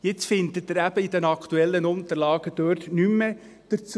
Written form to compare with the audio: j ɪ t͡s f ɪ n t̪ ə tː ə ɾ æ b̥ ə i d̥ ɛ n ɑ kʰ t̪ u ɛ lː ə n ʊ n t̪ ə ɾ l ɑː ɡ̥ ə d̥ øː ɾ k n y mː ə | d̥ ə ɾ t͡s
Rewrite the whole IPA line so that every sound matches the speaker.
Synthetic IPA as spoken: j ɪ t͡s f ɪ n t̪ ə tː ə ɾ æ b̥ ə i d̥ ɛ n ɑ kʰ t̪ u ɛ lː ə n ʊ n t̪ ə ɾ l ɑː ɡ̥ ə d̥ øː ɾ t n y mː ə | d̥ ə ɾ t͡s